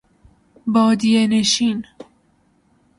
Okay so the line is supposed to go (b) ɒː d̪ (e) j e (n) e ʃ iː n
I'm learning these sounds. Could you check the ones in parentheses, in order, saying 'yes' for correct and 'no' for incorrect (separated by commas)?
yes, no, yes